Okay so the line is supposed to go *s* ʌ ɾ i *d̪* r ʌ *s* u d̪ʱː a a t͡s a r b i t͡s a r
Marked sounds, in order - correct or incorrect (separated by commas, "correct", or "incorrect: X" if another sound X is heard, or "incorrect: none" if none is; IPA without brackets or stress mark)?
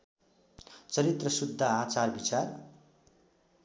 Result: incorrect: t͡s, incorrect: t̪, correct